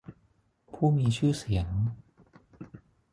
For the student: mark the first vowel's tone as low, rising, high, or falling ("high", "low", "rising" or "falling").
falling